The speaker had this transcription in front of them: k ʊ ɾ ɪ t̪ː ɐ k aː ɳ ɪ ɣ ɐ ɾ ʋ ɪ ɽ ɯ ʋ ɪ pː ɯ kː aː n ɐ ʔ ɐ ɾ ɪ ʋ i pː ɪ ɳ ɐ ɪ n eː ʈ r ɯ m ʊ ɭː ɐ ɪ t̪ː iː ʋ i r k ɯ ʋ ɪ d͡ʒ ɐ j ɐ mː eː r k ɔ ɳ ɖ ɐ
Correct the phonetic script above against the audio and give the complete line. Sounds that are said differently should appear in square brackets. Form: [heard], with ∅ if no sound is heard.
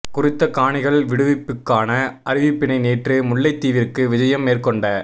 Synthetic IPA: k ʊ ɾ ɪ t̪ː ɐ k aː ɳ ɪ ɣ ɐ [ɭ] ʋ ɪ ɽ ɯ ʋ ɪ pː ɯ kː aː n ɐ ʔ ɐ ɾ ɪ ʋ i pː ɪ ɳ ɐ ɪ n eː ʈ r ɯ m ʊ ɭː ɐ ɪ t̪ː iː ʋ [ɪ] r k ɯ ʋ ɪ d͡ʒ ɐ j ɐ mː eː r k ɔ ɳ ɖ ɐ